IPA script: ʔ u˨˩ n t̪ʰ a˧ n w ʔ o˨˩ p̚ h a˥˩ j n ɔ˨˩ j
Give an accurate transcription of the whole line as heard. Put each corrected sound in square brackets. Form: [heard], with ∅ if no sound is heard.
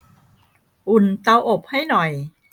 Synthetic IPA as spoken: ʔ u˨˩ n [t̪] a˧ [∅] w ʔ o˨˩ p̚ h a˥˩ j n ɔ˨˩ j